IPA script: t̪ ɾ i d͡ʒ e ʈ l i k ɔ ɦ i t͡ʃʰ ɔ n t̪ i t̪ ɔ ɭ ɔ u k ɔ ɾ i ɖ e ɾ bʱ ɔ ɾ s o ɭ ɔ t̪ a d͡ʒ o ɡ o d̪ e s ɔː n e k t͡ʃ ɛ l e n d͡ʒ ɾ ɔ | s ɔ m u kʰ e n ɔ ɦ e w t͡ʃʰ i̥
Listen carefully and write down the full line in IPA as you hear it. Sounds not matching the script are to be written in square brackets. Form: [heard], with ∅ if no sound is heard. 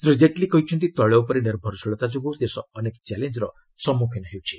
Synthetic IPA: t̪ ɾ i d͡ʒ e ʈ l i k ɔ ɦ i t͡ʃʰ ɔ n t̪ i t̪ ɔ ɭ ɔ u [p] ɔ ɾ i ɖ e ɾ bʱ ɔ ɾ s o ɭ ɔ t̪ a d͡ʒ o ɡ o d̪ e s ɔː n e k t͡ʃ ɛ l e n d͡ʒ ɾ ɔ | s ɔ m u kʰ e n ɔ ɦ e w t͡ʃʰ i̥